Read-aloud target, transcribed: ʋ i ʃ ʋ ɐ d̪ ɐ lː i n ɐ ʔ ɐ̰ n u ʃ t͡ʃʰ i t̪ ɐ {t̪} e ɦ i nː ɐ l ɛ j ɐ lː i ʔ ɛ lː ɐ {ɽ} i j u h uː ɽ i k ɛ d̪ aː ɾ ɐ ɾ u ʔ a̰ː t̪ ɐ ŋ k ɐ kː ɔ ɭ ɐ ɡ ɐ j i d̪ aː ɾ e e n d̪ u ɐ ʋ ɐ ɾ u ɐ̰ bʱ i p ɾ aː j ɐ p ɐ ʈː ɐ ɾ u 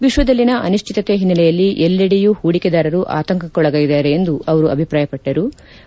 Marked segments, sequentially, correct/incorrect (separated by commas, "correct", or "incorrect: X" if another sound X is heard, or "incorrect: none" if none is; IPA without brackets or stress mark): correct, correct